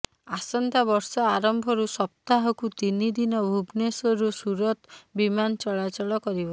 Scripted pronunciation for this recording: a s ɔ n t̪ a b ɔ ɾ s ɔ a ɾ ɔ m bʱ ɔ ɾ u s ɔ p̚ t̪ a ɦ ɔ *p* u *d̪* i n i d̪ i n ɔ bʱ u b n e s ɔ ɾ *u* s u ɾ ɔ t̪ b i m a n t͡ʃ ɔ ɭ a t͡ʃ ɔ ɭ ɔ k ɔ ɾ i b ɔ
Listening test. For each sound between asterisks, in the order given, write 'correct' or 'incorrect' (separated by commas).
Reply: incorrect, incorrect, correct